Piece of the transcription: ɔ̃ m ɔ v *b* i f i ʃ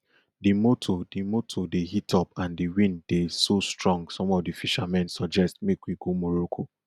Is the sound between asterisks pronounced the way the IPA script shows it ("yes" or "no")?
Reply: no